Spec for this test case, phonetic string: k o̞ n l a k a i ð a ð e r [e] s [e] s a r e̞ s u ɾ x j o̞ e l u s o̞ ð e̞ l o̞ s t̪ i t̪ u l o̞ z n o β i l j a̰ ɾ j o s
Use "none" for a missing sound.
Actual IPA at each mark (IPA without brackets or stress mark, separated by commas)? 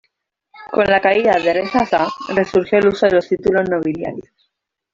e, a